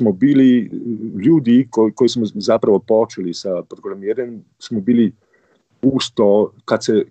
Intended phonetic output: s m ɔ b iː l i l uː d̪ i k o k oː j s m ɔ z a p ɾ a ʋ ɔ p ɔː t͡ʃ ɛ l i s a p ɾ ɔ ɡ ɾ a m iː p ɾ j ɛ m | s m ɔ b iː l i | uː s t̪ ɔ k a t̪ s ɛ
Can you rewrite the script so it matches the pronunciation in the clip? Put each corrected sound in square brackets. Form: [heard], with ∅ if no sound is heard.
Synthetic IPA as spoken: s m ɔ b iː l i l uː d̪ i k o k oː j s m ɔ z a p ɾ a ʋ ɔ p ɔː t͡ʃ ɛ l i s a p ɾ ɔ ɡ ɾ a m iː [∅] ɾ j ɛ m | s m ɔ b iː l i | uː s t̪ ɔ k a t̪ s ɛ